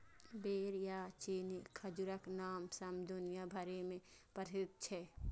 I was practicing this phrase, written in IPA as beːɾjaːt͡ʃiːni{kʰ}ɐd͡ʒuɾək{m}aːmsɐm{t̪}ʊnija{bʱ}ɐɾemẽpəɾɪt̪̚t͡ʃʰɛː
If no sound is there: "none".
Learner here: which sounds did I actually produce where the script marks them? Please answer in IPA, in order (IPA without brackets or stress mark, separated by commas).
kʰ, n, d̪, bʱ